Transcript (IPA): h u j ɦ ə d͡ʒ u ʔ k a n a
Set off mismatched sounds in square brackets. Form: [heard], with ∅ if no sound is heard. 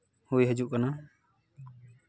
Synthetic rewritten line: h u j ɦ ə d͡ʒ u ʔ k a n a